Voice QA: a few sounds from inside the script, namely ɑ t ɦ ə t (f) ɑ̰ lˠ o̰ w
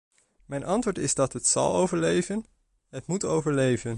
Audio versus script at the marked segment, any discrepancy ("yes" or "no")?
yes